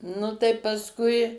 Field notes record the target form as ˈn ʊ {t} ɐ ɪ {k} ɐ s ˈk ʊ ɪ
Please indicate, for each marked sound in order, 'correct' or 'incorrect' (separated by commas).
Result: correct, incorrect